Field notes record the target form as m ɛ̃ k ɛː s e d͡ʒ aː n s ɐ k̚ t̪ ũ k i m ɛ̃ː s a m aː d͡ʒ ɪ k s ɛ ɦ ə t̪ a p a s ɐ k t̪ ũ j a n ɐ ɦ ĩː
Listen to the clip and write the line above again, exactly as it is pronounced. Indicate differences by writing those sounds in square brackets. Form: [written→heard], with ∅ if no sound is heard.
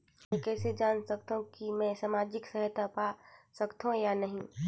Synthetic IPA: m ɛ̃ k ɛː s e d͡ʒ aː n s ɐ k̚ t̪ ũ k i m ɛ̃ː s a m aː d͡ʒ ɪ k s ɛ ɦ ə t̪ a p a s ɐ k t̪ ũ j a n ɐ ɦ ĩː